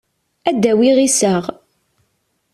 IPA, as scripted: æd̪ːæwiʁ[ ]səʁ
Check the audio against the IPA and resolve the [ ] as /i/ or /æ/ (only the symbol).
i